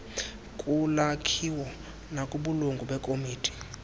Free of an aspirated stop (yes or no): no